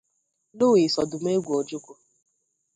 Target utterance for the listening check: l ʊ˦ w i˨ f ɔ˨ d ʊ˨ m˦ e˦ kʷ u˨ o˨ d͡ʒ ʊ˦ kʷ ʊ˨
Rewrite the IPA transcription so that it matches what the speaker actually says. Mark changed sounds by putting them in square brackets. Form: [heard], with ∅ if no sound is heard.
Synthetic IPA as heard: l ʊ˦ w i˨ [s] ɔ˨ d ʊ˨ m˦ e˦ [ɡʷ] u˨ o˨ d͡ʒ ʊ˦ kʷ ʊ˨

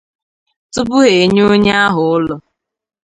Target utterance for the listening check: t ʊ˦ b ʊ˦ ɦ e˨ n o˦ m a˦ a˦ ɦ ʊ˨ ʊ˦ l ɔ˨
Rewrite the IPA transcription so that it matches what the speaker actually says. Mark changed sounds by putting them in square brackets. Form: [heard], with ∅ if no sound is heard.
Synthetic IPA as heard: t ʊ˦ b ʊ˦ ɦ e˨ [ɲ] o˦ [ɲ] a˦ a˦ ɦ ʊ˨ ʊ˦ l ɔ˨

